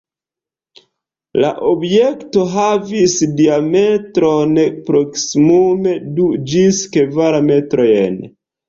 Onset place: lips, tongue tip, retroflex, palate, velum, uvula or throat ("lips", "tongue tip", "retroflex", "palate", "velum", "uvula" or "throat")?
tongue tip